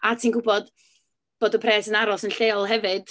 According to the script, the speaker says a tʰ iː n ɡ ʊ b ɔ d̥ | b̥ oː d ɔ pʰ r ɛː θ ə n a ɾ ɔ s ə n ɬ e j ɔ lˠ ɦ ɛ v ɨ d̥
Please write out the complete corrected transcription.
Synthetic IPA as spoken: a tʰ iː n ɡ ʊ b ɔ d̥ | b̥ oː d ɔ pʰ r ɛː s ə n a ɾ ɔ s ə n ɬ e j ɔ lˠ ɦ ɛ v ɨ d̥